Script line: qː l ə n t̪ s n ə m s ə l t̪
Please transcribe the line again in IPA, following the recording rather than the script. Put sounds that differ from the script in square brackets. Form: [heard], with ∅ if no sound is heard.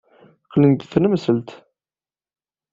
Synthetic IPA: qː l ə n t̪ [θ] n ə m s ə l t̪